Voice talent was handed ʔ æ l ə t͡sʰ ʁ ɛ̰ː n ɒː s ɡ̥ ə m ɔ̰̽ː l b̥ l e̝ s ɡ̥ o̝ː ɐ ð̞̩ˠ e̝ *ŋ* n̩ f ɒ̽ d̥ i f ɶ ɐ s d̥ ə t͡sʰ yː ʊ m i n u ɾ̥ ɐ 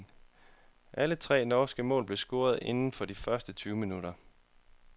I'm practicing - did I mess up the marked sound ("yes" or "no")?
yes